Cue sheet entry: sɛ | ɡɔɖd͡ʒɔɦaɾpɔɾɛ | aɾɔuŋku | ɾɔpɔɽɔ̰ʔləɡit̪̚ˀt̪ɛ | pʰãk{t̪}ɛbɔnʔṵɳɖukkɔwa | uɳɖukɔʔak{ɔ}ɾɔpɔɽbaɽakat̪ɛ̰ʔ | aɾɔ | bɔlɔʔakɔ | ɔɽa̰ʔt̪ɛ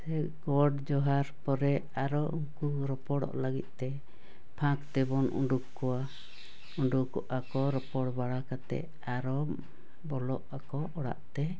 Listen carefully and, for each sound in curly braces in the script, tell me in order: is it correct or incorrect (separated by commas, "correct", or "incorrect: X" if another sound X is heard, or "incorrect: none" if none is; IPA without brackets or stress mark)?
correct, correct